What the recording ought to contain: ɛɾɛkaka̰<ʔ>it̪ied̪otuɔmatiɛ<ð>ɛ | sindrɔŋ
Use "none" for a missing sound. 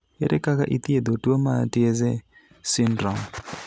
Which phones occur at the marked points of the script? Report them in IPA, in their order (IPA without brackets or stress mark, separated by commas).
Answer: ʔ, z